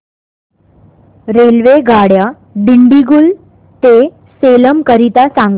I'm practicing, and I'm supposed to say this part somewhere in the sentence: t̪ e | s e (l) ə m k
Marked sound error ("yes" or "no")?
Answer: no